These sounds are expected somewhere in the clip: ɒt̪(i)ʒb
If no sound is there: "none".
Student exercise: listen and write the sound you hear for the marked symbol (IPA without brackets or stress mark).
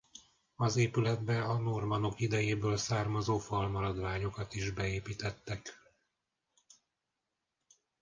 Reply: i